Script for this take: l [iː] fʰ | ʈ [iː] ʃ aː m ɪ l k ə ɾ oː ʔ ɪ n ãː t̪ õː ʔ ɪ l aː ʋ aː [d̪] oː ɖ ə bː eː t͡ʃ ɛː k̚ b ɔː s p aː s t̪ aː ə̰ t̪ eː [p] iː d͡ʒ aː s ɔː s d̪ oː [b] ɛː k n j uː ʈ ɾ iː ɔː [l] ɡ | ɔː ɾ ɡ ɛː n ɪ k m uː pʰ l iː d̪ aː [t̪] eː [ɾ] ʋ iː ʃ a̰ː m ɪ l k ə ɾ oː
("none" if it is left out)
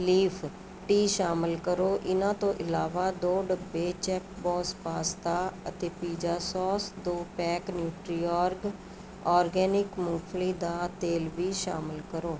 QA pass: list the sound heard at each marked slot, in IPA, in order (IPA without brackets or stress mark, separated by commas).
iː, iː, d̪, p, p, ɾ, t̪, l